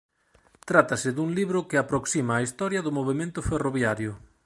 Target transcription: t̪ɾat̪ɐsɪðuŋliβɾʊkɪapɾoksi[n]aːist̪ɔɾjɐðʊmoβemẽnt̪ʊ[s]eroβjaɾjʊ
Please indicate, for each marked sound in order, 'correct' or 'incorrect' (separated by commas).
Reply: incorrect, incorrect